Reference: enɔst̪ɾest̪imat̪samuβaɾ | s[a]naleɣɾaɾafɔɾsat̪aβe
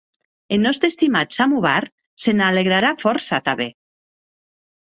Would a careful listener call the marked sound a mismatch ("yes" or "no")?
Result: yes